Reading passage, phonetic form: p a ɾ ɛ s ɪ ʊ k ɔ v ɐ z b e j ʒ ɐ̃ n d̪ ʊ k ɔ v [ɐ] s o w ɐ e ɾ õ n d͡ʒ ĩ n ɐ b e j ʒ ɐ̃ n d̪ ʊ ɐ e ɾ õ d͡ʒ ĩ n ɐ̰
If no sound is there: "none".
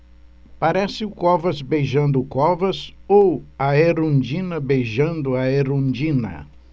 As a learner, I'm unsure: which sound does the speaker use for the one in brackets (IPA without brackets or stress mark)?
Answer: ɐ